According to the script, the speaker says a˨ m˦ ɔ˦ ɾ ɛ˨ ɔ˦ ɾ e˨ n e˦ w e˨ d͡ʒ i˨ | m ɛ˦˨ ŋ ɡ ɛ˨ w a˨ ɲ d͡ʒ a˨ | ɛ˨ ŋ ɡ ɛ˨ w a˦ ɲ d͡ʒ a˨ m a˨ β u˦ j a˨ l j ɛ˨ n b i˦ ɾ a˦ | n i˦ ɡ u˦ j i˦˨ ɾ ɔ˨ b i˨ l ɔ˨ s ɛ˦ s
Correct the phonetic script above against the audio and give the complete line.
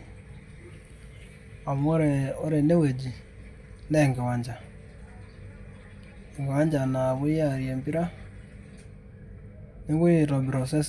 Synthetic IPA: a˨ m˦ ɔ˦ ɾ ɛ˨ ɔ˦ ɾ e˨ n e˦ w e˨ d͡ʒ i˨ | n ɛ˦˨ ŋ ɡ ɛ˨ w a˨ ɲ d͡ʒ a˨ | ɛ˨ ŋ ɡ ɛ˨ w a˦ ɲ d͡ʒ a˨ n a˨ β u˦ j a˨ ɾ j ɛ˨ m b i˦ ɾ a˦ | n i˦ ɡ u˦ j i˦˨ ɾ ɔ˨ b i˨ ɾ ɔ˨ s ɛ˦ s